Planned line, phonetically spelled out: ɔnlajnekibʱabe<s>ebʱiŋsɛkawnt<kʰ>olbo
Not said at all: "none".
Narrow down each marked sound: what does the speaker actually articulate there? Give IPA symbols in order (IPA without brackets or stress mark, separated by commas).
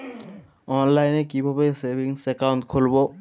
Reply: s, kʰ